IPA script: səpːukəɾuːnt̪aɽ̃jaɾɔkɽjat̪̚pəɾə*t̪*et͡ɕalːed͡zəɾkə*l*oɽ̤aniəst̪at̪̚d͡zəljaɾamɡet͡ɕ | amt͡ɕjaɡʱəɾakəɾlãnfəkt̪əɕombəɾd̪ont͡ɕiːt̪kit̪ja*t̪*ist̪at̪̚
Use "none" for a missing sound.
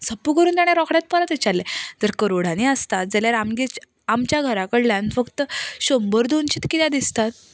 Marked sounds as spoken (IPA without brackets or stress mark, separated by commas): t̪, ɾ, d̪